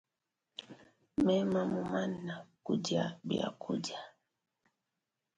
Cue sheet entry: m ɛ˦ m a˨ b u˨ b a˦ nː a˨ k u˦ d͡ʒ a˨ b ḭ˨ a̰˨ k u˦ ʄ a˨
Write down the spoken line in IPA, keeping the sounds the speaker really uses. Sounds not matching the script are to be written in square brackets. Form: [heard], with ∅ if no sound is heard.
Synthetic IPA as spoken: m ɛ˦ m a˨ [m] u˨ [m] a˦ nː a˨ k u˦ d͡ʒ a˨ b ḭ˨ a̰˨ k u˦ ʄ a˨